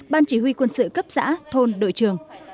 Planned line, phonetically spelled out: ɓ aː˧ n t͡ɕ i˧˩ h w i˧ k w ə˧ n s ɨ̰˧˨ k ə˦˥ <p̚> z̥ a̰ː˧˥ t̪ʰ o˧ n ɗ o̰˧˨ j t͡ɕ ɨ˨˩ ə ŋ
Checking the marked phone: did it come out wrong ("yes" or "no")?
no